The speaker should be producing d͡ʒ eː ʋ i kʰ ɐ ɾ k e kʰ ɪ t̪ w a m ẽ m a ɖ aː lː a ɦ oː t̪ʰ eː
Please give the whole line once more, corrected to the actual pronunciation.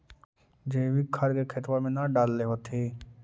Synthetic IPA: d͡ʒ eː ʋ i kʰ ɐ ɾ k e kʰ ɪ t̪ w a m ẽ n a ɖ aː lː e ɦ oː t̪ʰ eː